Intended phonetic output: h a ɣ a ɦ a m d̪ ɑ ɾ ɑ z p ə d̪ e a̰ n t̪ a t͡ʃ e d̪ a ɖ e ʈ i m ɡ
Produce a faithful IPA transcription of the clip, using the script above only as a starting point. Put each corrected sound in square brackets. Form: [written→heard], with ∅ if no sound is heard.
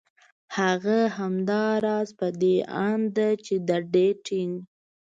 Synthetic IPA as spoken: h a ɣ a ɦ a m d̪ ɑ ɾ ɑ z p ə d̪ e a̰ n [t̪→d̪] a t͡ʃ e d̪ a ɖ e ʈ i [m→ŋ] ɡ